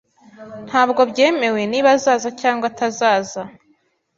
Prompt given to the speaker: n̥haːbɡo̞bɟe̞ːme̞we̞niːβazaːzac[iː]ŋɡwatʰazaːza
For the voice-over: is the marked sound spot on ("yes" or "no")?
no